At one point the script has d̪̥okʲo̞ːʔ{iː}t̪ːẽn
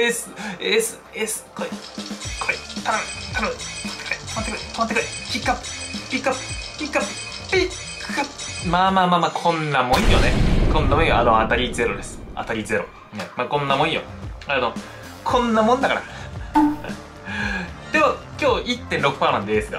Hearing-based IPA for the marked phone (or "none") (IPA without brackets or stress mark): i